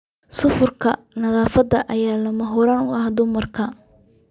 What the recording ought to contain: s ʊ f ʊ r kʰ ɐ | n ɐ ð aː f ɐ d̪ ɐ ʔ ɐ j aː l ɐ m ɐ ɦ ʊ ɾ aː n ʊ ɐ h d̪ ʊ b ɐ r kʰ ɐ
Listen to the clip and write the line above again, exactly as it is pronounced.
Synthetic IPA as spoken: s ʊ f ʊ r kʰ ɐ | n ɐ ð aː f ɐ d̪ ɐ ʔ ɐ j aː l ɐ m ɐ ɦ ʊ ɾ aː n ʊ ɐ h d̪ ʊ m ɐ r kʰ ɐ